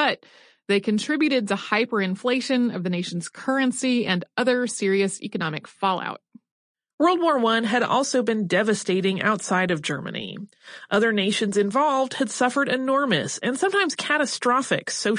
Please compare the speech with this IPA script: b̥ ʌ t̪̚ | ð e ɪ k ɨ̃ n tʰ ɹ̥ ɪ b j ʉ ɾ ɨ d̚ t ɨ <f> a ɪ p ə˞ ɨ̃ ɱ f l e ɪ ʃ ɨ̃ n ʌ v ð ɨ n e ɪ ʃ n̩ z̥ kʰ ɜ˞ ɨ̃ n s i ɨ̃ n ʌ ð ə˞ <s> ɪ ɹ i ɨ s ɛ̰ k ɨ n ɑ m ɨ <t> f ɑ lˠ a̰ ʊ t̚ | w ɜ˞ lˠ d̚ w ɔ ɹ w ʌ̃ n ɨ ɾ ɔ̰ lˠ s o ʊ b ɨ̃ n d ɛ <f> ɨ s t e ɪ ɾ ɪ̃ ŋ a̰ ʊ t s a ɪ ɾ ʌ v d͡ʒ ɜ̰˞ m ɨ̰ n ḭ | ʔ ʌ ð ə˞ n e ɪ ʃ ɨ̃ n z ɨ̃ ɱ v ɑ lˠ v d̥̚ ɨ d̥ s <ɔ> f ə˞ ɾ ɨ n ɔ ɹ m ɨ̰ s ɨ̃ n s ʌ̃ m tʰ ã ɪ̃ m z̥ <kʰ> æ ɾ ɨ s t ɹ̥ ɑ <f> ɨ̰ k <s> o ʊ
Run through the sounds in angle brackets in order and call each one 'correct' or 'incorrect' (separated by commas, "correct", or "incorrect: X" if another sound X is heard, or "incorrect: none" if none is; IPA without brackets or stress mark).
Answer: incorrect: h, correct, incorrect: k, incorrect: v, incorrect: ʌ, correct, correct, correct